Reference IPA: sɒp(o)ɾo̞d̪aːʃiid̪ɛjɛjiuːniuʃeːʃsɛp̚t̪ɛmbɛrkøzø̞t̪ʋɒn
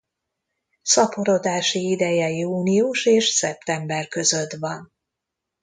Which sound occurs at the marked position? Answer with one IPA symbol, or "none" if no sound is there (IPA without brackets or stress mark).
o